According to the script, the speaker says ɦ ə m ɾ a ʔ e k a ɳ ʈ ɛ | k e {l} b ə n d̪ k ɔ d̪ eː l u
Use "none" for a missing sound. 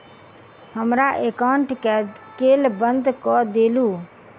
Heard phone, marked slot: l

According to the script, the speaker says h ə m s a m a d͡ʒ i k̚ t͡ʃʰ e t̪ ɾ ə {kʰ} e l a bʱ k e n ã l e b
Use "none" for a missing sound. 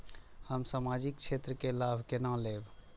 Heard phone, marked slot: k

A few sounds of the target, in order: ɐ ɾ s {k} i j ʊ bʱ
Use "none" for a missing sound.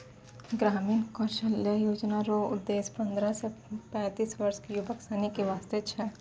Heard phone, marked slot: k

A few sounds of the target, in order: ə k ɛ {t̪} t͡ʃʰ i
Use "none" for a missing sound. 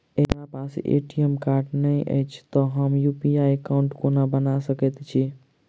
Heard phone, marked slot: t̪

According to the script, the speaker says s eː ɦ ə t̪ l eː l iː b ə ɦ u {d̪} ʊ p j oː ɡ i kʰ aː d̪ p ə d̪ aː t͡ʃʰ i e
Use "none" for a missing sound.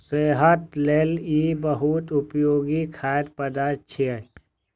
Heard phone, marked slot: t̪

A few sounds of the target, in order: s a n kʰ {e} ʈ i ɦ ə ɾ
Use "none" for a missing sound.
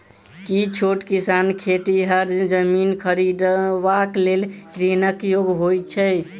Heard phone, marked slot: e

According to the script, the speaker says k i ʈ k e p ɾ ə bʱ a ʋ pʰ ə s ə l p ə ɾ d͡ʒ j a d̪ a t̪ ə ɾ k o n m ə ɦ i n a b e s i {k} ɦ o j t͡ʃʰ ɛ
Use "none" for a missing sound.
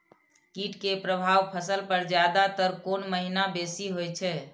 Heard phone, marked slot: none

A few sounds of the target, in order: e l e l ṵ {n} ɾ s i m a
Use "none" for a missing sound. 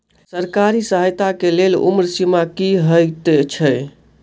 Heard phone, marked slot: m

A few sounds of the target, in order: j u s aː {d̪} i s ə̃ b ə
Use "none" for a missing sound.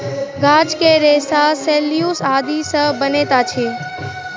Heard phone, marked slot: d̪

